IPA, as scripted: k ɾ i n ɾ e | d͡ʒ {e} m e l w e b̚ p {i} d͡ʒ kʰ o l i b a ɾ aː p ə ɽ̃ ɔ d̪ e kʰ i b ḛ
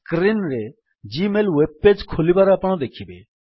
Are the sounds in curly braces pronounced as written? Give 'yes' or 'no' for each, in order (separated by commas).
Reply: no, no